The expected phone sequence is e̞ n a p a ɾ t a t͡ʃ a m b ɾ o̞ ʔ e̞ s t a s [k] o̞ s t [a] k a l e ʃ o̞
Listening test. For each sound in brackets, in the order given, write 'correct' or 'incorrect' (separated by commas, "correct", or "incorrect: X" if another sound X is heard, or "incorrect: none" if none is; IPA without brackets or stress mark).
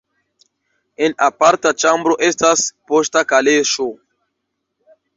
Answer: incorrect: p, correct